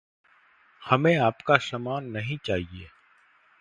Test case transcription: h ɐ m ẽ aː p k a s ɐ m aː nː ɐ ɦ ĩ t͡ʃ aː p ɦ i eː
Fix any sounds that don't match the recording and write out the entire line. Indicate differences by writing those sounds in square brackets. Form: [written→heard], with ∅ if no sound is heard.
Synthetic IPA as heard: h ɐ m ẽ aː p k a s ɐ m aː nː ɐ ɦ ĩ t͡ʃ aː [p→∅] ɦ i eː

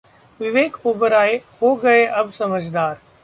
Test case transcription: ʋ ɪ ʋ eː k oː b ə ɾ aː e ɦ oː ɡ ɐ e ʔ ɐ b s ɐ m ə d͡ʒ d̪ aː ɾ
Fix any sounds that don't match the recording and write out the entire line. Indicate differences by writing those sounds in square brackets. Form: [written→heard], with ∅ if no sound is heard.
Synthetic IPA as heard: ʋ ɪ ʋ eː k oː b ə ɾ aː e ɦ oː ɡ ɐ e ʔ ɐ b s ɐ m ə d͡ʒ d̪ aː ɾ

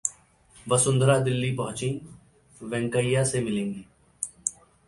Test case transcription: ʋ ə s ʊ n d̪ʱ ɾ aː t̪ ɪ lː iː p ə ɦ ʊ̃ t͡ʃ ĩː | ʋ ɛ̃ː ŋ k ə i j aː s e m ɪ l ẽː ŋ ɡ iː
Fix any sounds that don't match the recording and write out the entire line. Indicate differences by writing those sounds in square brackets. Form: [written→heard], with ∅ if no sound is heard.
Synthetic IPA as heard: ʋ ə s ʊ n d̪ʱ ɾ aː [t̪→d̪] ɪ lː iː p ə ɦ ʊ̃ t͡ʃ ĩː | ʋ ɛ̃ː ŋ k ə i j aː s e m ɪ l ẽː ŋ ɡ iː

